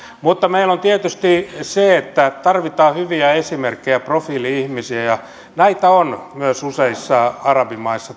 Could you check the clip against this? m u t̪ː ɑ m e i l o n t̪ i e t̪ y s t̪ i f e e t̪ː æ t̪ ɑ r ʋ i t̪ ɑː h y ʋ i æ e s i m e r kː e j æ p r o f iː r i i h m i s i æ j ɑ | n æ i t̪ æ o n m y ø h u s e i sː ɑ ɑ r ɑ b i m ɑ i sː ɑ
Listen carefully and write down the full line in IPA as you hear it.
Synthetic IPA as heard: m u t̪ː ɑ m e i l o n t̪ i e t̪ y s t̪ i s e e t̪ː æ t̪ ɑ r ʋ i t̪ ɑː h y ʋ i æ e s i m e r kː e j æ p r o f iː l i i h m i s i æ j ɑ | n æ i t̪ æ o n m y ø s u s e i sː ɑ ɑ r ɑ b i m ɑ i sː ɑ